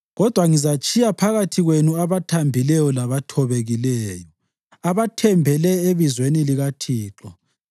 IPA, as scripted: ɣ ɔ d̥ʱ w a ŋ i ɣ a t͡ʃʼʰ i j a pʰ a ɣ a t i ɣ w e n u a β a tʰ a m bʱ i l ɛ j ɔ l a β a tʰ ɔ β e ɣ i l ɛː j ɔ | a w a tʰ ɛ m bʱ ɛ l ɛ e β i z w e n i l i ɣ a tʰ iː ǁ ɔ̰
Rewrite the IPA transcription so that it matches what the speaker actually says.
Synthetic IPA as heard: ɣ ɔ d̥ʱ w a ŋ i z a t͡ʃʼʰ i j a pʰ a ɣ a tʰ i ɣ w e n u a β a tʰ a m bʱ i l ɛ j ɔ l a β a tʰ ɔ β e ɣ i l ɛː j ɔ | a β a tʰ ɛ m bʱ ɛ l ɛ e β i z w e n i l i ɣ a tʰ iː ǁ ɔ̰